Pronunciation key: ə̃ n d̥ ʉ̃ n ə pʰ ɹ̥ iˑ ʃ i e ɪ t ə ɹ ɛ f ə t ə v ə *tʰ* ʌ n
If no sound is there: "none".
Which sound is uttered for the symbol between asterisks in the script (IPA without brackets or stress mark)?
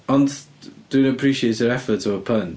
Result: pʰ